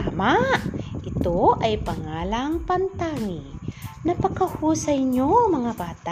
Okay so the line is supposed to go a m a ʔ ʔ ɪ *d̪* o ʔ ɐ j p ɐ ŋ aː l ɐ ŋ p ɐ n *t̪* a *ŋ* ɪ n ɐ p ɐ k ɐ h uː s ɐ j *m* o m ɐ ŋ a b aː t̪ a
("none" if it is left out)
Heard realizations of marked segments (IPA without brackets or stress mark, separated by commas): t̪, t̪, ŋ, ɲ